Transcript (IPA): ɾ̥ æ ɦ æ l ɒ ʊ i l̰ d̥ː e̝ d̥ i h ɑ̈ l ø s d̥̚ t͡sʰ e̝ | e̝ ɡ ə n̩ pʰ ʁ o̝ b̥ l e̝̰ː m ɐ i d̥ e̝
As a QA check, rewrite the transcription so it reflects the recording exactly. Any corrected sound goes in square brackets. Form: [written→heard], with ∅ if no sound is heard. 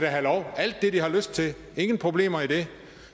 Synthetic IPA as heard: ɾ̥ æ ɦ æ l ɒ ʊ [i→æ] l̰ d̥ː e̝ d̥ i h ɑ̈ l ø s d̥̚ t͡sʰ e̝ | e̝ [ɡ→ŋ] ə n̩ pʰ ʁ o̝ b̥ l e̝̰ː m ɐ i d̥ e̝

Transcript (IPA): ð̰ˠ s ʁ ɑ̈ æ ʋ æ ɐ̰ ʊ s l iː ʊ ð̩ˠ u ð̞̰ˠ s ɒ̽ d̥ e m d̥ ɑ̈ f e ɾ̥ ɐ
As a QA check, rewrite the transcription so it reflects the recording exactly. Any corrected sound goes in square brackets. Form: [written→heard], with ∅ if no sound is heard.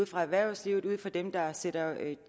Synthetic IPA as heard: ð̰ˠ [s→f] ʁ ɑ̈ æ ʋ æ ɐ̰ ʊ s l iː ʊ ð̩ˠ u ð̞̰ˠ [s→f] ɒ̽ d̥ e m d̥ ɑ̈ [f→s] e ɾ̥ ɐ

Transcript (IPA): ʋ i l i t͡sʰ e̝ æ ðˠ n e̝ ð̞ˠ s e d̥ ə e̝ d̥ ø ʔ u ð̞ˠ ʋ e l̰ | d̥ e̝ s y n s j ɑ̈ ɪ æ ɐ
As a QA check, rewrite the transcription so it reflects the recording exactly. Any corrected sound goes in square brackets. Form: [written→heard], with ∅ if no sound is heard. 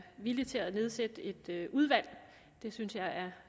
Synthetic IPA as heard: ʋ i l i t͡sʰ e̝ æ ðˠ n e̝ ð̞ˠ s e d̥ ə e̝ d̥ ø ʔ u ð̞ˠ ʋ [e→æ] l̰ | d̥ e̝ s y n s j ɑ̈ ɪ æ ɐ

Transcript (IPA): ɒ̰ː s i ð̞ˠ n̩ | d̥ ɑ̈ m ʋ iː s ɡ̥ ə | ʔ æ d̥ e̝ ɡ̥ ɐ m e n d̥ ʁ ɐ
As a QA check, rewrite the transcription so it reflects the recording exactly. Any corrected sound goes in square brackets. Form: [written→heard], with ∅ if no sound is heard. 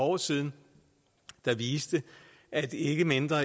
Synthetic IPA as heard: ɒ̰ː s i ð̞ˠ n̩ | d̥ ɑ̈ [m→∅] ʋ iː s [ɡ̥→d̥] ə | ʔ æ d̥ e̝ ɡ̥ [ɐ→ə] m e n d̥ ʁ ɐ

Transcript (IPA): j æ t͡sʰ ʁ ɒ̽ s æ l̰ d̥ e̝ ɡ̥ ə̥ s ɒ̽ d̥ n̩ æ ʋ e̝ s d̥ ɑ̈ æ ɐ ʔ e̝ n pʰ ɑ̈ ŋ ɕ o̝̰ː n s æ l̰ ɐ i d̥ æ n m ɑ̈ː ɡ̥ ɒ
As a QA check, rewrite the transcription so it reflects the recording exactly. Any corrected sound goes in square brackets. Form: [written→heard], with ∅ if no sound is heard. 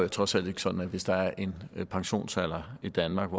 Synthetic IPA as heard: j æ t͡sʰ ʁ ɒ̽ s æ l̰ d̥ e̝ ɡ̥ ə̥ s ɒ̽ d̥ n̩ æ ʋ e̝ s d̥ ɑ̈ æ ɐ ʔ e̝ n pʰ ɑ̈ ŋ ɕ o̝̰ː n s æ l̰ ɐ i d̥ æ n m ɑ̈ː ɡ̥ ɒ

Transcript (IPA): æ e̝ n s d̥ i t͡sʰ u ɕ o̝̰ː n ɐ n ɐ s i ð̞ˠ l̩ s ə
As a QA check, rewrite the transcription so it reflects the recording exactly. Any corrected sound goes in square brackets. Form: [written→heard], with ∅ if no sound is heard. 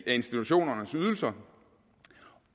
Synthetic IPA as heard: æ e̝ n s d̥ i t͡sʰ u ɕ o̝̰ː n ɐ n [ɐ→ə] s [i→y] ð̞ˠ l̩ s [ə→ɐ]

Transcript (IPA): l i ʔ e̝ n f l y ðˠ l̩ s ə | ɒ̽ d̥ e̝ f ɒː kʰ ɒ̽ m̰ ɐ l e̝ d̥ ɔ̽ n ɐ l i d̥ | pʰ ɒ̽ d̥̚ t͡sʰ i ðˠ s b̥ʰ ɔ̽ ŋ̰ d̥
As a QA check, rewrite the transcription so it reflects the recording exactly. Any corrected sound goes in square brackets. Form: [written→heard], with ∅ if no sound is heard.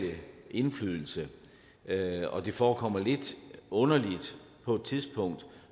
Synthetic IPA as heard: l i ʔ e̝ n f l y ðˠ l̩ s ə | ɒ̽ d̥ e̝ f ɒː kʰ ɒ̽ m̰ ɐ l e̝ d̥ ɔ̽ n ɐ l i d̥ | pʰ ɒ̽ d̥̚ t͡sʰ i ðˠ s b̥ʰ ɔ̽ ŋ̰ d̥

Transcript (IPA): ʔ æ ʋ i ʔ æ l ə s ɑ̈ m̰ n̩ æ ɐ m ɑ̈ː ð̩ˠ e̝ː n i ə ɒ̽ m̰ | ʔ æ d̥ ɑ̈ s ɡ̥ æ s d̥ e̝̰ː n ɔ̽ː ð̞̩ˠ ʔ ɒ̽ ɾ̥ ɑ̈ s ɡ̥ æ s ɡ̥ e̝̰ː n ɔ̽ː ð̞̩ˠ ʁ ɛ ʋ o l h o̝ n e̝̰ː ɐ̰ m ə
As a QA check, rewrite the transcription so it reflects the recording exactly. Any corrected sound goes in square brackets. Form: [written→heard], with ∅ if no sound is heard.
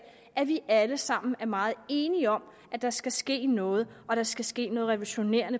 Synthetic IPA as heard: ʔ æ ʋ i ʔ æ l ə s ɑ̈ m̰ n̩ æ ɐ m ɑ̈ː ð̩ˠ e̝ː n i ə ɒ̽ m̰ | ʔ æ d̥ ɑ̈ s ɡ̥ æ s [d̥→ɡ̥] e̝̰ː n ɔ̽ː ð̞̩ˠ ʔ ɒ̽ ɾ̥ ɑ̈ s ɡ̥ æ s ɡ̥ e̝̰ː n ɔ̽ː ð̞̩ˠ ʁ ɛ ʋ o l [h→ɕ] o̝ n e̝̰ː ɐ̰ [m→n] ə

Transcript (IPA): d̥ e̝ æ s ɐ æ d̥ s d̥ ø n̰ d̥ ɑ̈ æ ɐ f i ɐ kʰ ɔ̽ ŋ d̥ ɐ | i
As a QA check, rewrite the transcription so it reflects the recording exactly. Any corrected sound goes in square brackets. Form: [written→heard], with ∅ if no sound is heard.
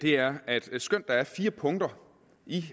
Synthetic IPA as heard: d̥ e̝ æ [s→∅] ɐ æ d̥ s [d̥→ɡ̥] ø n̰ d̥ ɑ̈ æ ɐ f [i→iː] ɐ [kʰ→pʰ] ɔ̽ ŋ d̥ ɐ | i

